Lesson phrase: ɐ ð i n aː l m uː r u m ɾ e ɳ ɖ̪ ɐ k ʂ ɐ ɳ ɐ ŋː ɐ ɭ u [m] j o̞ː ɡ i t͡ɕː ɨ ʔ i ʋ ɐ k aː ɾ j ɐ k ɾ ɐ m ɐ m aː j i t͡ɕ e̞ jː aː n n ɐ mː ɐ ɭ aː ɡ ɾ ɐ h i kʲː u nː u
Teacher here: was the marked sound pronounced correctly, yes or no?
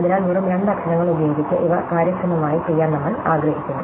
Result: no